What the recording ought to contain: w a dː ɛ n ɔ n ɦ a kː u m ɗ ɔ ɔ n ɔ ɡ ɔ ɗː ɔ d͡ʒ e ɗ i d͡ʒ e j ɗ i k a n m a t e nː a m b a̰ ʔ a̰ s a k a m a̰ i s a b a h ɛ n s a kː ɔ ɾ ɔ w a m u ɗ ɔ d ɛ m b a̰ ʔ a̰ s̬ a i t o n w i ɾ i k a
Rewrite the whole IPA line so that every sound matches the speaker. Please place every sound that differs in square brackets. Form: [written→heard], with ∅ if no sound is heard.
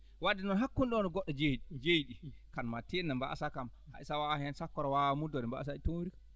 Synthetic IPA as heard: w a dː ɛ n ɔ n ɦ a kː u [m→n] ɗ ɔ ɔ n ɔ ɡ ɔ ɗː ɔ d͡ʒ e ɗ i d͡ʒ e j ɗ i k a n m a t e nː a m b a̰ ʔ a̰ s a k a m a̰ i s a [b→w] a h ɛ n s a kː ɔ ɾ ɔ w a m u [ɗ→d] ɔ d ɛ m b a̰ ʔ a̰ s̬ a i t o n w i ɾ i k a

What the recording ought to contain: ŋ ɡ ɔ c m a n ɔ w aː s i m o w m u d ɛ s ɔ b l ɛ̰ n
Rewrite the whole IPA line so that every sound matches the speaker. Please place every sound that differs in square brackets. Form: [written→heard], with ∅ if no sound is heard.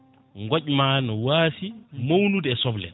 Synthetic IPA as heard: ŋ ɡ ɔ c m a n ɔ w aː s i m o w [m→n] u d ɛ s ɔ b l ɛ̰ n

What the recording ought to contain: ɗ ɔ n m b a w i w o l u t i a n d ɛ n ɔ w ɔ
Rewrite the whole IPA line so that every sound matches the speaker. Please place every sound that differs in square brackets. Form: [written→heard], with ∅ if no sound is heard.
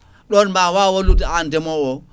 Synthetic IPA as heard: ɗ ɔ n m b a w [i→a] w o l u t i a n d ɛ [n→m] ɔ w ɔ

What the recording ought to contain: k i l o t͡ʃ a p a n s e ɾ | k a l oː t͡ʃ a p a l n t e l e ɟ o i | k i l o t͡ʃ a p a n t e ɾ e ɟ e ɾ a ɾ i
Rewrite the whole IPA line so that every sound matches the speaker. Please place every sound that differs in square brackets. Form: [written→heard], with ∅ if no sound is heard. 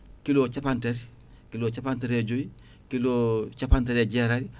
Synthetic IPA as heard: k i l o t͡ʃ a p a n [s→t] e ɾ | k [a→i] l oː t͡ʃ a p a [l→∅] n t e [l→ɾ] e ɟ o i | k i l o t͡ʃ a p a n t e ɾ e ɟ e ɾ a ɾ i

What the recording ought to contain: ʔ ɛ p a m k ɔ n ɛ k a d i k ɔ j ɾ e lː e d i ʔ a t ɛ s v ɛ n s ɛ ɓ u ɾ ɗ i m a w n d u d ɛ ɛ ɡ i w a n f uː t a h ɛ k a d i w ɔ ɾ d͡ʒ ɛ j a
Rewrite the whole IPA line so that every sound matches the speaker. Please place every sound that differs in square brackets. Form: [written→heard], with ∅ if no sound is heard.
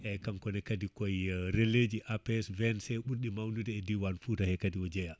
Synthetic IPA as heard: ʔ ɛ [p→k] a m k ɔ n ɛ k a d i k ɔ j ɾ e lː e [d→d͡ʒ] i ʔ a [t→p] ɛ s v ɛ n s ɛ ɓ u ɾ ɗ i m a w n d u d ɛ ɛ [ɡ→d] i w a n f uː t a h ɛ k a d i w ɔ [ɾ→∅] d͡ʒ ɛ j a

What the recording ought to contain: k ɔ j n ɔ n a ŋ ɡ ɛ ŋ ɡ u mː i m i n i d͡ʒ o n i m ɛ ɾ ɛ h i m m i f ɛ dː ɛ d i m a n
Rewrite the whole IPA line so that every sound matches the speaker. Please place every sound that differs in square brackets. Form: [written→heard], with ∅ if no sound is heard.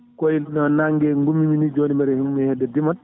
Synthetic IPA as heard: k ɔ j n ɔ n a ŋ ɡ ɛ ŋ ɡ u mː i m i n i d͡ʒ o n i m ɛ ɾ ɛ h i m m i [f→h] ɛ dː ɛ d i m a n

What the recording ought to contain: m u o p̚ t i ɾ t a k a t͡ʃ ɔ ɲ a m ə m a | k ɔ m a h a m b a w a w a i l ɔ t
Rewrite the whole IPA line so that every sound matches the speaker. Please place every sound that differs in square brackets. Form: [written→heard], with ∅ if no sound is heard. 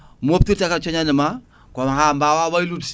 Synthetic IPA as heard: m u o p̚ t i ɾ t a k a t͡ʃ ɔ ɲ a [m→n] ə m a | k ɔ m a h a m b a w a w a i l [ɔ→u] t

